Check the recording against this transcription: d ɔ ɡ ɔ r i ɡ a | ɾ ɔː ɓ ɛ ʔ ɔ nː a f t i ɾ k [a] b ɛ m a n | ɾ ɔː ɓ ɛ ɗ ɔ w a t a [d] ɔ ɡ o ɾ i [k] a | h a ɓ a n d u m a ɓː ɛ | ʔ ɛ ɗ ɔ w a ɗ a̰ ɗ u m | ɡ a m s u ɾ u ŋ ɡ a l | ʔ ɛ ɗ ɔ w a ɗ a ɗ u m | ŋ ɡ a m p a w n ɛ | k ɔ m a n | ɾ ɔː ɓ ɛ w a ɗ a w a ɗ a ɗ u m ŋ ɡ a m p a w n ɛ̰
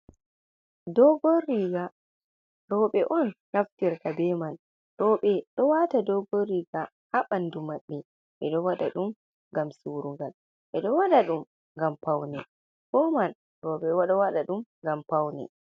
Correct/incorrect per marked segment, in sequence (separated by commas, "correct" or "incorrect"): correct, correct, incorrect